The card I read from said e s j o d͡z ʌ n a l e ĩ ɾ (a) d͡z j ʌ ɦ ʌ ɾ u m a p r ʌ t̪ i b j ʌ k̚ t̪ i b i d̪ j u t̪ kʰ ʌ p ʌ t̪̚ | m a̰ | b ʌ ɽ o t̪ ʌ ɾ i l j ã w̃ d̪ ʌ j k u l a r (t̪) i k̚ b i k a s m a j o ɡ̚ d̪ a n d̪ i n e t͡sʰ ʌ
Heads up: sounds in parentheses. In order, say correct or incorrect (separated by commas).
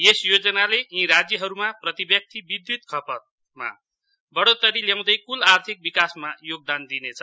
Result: correct, incorrect